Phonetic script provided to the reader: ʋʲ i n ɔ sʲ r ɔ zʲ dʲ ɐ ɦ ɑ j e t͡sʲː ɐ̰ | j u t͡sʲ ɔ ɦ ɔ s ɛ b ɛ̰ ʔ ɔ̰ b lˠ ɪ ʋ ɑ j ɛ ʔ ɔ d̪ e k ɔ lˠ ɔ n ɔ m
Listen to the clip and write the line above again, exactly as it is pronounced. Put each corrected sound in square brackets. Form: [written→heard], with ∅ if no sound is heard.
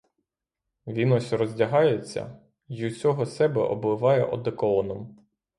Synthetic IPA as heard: ʋʲ i n ɔ sʲ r ɔ zʲ dʲ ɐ ɦ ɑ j e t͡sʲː ɐ̰ | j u t͡sʲ ɔ ɦ ɔ s ɛ b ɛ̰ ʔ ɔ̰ b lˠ ɪ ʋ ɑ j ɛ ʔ ɔ d̪ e k ɔ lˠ ɔ n ɔ m